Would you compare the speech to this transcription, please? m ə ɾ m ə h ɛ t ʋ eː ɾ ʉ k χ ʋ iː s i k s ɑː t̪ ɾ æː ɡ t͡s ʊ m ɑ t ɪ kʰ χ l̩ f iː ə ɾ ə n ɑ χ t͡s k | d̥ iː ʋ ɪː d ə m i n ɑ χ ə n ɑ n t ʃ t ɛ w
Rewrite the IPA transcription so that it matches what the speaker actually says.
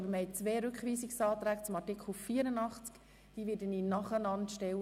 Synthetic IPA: b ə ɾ m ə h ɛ t͡s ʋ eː ɾ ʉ k χ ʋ iː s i k s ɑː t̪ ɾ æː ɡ t͡s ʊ m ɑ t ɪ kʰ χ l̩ f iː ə ɾ ə n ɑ χ t͡s k | d̥ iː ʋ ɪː d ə n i n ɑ χ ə n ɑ n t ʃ t ɛ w